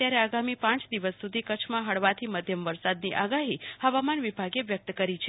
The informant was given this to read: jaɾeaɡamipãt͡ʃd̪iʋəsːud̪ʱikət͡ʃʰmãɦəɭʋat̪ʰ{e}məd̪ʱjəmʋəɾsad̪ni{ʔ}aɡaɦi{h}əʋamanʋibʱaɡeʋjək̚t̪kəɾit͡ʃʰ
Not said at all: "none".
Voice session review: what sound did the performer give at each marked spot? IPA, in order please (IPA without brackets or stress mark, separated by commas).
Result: i, ʔ, h